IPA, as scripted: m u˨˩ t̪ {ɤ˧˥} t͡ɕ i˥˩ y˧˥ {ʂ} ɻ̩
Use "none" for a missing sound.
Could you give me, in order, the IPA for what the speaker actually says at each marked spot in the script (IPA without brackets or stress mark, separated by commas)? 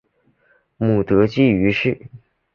ɤ˧˥, ʂ